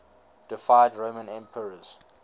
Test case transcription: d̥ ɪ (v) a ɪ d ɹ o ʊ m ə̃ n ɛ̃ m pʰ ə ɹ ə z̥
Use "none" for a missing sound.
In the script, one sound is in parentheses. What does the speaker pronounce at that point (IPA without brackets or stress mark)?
f